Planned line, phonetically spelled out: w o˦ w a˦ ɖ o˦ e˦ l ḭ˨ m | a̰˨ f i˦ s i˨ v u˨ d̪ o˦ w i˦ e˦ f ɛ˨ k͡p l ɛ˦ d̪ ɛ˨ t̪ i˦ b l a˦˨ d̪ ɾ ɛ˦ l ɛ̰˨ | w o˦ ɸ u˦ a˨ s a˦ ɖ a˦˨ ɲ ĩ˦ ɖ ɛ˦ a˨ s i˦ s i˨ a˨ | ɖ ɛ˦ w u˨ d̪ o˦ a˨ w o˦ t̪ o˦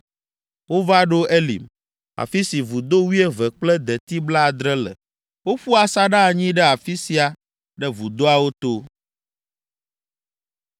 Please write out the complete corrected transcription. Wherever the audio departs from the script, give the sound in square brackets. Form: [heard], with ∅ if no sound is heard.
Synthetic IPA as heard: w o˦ [v] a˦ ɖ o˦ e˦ l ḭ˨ m | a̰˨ f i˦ s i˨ v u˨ d̪ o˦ w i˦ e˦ [v] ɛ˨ k͡p l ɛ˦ d̪ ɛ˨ t̪ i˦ b l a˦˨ d̪ ɾ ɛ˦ l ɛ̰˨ | w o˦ ɸ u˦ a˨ s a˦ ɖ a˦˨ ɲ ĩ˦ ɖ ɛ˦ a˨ [f] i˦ s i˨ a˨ | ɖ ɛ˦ [v] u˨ d̪ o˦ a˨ w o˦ t̪ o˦

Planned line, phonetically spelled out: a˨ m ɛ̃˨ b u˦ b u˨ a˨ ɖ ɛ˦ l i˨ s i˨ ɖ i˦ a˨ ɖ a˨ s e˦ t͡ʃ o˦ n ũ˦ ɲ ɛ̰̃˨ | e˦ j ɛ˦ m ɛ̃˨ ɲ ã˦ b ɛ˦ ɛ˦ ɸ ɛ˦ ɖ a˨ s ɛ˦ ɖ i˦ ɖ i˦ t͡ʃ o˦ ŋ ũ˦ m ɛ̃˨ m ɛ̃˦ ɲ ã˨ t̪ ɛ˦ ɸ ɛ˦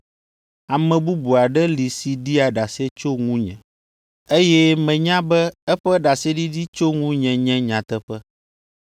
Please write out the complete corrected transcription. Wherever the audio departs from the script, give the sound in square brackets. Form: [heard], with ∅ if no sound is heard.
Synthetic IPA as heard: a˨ m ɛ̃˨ b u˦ b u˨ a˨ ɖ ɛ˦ l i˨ s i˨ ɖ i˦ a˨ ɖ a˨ s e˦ t͡ʃ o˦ [ŋ] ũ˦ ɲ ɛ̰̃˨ | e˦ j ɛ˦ m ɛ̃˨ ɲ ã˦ b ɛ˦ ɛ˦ ɸ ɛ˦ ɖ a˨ s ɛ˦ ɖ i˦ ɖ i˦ t͡ʃ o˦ ŋ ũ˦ [ɲ] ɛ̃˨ [ɲ] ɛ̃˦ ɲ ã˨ t̪ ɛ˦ ɸ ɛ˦

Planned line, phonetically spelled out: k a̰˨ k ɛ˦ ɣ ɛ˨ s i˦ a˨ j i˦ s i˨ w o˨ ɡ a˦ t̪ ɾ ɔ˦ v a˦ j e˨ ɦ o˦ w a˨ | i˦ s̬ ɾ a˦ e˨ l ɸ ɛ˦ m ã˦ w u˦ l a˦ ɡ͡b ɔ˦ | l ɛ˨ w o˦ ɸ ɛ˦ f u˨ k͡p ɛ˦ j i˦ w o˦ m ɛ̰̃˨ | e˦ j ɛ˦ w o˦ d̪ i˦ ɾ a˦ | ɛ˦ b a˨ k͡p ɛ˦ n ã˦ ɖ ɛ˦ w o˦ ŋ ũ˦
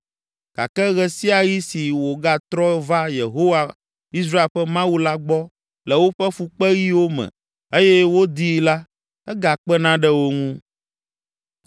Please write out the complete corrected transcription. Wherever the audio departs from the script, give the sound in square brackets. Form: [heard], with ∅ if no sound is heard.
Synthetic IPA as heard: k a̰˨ k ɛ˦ ɣ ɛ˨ s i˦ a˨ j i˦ s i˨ w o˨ ɡ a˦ t̪ ɾ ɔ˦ v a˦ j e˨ ɦ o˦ w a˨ | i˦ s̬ ɾ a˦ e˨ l ɸ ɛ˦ m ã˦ w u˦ l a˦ ɡ͡b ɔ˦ | l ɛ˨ w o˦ ɸ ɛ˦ f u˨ k͡p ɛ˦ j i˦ w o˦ m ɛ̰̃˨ | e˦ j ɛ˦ w o˦ d̪ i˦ [l] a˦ | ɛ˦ [ɡ] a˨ k͡p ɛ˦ n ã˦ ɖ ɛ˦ w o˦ ŋ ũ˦

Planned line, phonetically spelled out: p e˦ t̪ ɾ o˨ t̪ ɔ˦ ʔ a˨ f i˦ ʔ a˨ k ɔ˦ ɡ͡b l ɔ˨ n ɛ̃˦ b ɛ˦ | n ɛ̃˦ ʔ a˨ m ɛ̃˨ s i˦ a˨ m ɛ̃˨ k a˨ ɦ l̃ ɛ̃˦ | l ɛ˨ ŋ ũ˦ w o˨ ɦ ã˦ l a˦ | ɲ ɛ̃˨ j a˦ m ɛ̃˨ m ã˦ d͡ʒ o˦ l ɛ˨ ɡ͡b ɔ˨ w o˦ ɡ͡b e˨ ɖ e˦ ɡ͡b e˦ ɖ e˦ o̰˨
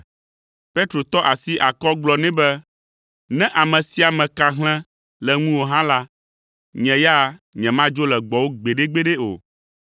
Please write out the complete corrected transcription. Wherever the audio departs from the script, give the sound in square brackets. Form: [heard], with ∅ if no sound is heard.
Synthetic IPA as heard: p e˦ t̪ ɾ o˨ t̪ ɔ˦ ʔ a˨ [s] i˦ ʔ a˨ k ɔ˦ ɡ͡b l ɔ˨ n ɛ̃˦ b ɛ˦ | n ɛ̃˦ ʔ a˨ m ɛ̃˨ s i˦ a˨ m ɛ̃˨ k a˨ ɦ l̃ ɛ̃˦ | l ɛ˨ ŋ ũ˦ w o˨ ɦ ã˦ l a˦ | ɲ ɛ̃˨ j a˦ [ɲ] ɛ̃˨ m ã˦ d͡ʒ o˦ l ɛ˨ ɡ͡b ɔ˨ w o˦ ɡ͡b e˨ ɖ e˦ ɡ͡b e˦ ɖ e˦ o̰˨

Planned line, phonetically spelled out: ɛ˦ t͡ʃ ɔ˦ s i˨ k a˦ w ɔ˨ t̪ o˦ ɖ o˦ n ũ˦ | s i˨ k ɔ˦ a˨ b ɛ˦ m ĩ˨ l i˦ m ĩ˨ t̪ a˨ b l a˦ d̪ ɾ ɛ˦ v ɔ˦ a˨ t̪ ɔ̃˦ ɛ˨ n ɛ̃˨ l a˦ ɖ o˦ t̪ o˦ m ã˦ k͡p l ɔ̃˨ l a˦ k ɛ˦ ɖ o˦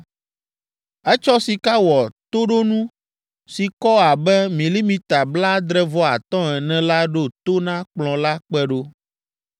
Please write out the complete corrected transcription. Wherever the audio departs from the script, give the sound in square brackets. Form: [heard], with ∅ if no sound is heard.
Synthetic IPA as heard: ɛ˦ t͡ʃ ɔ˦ s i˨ k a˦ w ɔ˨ t̪ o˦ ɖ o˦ n ũ˦ | s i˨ k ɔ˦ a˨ b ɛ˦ m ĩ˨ l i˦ m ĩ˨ t̪ a˨ b l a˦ d̪ ɾ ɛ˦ v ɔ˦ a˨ t̪ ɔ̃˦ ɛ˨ n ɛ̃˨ l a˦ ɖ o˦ t̪ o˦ [n] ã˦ k͡p l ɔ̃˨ l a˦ [k͡p] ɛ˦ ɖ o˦

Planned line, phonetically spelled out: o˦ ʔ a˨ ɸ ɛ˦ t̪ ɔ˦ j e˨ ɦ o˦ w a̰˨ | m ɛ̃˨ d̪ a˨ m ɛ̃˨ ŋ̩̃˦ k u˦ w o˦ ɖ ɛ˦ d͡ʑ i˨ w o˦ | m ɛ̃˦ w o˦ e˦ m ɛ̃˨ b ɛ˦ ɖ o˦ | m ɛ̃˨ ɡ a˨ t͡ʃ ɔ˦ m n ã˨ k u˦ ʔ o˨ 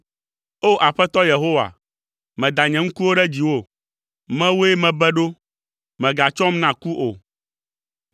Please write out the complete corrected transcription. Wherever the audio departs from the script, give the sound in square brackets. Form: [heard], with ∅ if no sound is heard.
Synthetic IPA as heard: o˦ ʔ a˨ ɸ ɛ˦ t̪ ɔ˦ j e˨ ɦ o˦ w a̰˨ | m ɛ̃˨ d̪ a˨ [ɲ] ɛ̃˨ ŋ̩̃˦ k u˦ w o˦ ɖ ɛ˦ d͡ʑ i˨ w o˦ | m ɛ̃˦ w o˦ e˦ m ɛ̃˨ b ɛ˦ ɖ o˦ | m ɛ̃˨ ɡ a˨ t͡ʃ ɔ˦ m n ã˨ k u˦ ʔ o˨

